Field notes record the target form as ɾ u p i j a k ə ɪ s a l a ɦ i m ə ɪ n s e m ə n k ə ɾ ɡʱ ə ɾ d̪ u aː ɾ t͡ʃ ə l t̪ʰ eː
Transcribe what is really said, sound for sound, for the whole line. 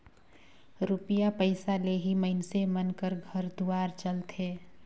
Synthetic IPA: ɾ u p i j a p ə ɪ s a l e ɦ i m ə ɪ n s e m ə n k ə ɾ ɡʱ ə ɾ d̪ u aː ɾ t͡ʃ ə l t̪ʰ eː